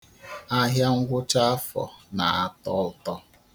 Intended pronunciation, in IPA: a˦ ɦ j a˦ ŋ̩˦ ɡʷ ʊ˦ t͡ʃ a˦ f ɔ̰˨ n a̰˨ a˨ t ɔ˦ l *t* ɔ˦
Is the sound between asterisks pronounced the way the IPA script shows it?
yes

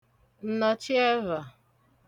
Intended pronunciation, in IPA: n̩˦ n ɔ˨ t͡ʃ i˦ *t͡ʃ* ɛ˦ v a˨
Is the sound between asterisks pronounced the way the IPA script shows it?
no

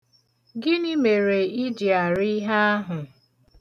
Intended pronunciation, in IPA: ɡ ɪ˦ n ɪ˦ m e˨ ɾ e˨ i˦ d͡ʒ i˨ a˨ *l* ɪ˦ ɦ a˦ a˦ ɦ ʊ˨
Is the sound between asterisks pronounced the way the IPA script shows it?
no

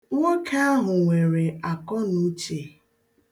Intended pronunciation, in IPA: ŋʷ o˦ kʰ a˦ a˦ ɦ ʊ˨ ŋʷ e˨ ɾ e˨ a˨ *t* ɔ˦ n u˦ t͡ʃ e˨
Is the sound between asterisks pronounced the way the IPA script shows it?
no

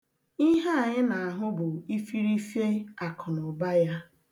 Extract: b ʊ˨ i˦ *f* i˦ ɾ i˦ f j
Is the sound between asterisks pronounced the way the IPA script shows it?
yes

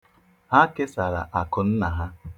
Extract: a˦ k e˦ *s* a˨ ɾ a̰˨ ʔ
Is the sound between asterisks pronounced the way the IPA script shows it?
yes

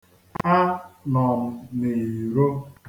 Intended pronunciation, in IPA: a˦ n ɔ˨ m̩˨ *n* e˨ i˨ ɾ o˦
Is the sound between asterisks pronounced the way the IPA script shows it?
yes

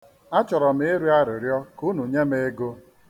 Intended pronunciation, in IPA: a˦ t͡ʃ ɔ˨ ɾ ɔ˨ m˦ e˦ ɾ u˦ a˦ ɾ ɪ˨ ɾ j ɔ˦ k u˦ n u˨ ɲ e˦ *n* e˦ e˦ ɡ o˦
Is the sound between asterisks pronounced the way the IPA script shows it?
no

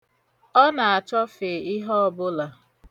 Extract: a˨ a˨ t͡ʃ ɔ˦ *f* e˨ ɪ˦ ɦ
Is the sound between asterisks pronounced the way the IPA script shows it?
yes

